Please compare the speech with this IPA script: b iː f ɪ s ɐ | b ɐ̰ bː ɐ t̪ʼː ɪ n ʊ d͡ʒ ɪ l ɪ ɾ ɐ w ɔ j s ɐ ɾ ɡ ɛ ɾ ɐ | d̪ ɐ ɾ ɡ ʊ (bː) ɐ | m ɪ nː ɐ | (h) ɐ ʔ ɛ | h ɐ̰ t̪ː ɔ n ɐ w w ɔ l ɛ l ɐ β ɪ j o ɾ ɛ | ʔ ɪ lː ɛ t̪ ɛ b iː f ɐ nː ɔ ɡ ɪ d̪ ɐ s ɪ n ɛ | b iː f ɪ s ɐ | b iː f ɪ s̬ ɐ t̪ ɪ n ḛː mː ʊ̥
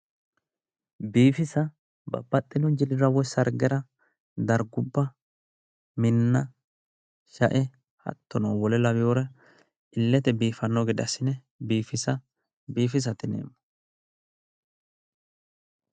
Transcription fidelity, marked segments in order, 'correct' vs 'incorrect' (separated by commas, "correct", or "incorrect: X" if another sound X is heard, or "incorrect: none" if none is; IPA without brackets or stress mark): correct, incorrect: ʃ